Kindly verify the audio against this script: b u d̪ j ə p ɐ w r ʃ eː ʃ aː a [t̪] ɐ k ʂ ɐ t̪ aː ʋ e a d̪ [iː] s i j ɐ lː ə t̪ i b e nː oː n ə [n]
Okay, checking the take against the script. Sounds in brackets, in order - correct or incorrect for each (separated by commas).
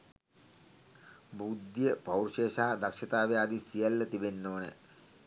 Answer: incorrect, incorrect, incorrect